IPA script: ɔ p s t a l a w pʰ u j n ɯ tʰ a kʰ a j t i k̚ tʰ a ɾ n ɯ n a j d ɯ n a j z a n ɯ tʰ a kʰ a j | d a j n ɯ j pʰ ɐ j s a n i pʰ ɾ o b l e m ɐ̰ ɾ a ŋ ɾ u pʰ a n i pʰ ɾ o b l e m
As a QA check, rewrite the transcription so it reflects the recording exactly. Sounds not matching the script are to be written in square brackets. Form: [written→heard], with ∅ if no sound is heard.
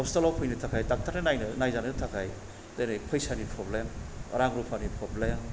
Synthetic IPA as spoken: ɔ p s t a l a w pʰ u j n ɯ tʰ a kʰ a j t [i→a] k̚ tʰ a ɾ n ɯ n a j [d→n] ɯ n a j z a n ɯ tʰ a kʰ a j | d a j n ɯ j pʰ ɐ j s a n i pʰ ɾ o b l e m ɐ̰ ɾ a ŋ ɾ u pʰ a n i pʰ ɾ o b l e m